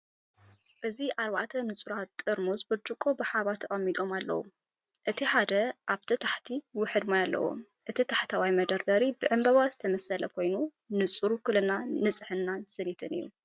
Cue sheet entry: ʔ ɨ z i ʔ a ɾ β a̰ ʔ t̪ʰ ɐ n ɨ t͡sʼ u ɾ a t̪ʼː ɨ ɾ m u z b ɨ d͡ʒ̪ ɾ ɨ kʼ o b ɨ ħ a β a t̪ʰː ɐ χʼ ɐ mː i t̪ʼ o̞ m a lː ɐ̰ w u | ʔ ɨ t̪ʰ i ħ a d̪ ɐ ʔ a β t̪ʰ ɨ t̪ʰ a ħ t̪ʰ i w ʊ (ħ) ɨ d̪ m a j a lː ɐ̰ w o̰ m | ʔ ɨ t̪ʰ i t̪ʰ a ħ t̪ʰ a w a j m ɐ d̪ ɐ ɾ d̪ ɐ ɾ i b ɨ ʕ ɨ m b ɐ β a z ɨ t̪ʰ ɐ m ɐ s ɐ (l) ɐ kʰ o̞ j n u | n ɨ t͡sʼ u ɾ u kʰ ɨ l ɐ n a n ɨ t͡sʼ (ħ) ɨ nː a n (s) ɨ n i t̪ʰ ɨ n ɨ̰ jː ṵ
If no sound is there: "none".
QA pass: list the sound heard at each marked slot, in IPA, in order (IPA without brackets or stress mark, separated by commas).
ħ, l, ħ, s